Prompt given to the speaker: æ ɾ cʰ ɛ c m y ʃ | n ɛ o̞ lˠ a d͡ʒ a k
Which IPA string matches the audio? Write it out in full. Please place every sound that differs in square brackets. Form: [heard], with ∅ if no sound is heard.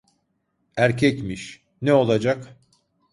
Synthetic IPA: æ ɾ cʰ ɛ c m [i] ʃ | n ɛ o̞ lˠ a d͡ʒ a k